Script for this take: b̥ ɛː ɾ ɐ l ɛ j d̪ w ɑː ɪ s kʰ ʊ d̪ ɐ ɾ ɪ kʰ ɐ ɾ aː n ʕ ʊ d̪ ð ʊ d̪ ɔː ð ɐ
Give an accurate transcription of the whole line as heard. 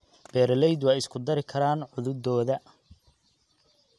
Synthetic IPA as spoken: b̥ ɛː ɾ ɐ l ɛ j d̪ w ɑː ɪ s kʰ ʊ d̪ ɐ ɾ ɪ kʰ ɐ ɾ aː n ʕ ʊ ð ʊ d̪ ɔː ð ɐ